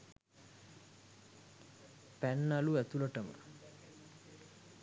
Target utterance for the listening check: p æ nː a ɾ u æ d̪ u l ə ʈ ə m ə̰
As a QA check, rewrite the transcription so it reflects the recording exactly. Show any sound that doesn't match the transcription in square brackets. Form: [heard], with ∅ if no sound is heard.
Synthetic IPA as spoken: p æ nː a [l] u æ [t̪] u l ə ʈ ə m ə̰